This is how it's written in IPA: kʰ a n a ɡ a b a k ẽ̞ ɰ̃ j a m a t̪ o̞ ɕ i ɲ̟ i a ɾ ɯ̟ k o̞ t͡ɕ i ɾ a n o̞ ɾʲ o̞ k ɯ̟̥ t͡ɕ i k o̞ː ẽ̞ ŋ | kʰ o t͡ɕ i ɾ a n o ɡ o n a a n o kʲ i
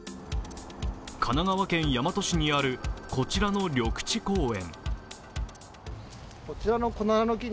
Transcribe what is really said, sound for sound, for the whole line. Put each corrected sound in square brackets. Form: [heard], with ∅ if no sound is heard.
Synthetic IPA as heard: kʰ a n a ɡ a [β] a k ẽ̞ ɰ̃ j a m a t̪ o̞ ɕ i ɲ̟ i a ɾ ɯ̟ k o̞ t͡ɕ i ɾ a n o̞ ɾʲ o̞ k ɯ̟̥ t͡ɕ i k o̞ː ẽ̞ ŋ | [k] o t͡ɕ i ɾ a n o [k] o n a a n o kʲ i

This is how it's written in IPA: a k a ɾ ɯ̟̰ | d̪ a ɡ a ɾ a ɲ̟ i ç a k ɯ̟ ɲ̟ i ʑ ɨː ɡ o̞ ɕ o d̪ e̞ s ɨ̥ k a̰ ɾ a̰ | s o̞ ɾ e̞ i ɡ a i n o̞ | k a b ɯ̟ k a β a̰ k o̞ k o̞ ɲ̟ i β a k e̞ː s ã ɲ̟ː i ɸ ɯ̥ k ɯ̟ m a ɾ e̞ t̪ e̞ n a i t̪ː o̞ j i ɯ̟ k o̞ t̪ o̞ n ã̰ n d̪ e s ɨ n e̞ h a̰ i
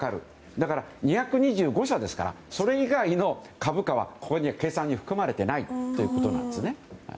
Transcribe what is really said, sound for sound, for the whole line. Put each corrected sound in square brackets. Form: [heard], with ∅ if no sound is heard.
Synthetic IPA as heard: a k a ɾ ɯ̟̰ | d̪ a [k] a ɾ a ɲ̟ i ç a k ɯ̟ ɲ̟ i ʑ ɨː ɡ o̞ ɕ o d̪ e̞ s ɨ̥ k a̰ ɾ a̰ | s o̞ ɾ e̞ i ɡ a i n o̞ | k a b ɯ̟ k a β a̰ k o̞ k o̞ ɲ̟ i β a k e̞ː s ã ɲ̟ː i ɸ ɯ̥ k ɯ̟ m a ɾ e̞ t̪ e̞ n a i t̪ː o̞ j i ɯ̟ k o̞ t̪ o̞ n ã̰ n d̪ e s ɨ n e̞ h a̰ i

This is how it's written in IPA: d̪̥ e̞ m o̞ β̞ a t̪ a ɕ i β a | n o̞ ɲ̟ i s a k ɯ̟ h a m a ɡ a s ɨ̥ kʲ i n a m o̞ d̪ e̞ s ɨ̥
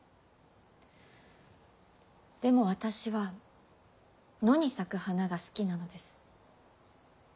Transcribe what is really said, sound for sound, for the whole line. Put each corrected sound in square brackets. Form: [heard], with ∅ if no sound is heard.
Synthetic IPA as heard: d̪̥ e̞ m o̞ β̞ a t̪ a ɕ i β a | n o̞ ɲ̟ i s a k ɯ̟ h a [n] a ɡ a s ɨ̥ kʲ i n a [n] o̞ d̪ e̞ s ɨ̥

